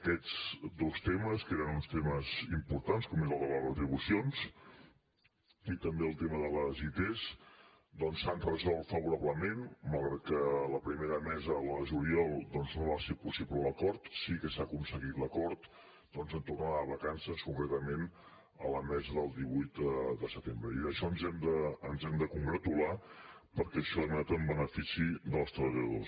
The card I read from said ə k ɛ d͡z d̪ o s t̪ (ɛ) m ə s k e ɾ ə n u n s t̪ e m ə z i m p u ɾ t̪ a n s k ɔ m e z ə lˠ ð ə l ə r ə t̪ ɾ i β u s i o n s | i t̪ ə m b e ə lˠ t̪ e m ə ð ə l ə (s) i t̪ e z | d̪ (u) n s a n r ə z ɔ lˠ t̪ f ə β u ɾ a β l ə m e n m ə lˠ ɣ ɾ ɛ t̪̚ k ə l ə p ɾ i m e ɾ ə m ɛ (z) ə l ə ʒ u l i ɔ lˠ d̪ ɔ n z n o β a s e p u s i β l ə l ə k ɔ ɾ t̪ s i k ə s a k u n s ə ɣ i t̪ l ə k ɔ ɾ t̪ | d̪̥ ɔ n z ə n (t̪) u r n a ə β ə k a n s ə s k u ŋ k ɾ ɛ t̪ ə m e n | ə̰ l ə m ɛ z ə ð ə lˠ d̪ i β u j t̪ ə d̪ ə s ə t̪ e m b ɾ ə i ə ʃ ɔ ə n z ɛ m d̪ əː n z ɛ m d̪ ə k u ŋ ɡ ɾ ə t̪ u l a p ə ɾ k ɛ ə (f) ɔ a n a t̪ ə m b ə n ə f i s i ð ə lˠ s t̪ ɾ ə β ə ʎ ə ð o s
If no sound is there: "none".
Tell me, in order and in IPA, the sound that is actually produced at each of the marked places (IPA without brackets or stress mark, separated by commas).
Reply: e, z, ɔ, z, t̪, ʃ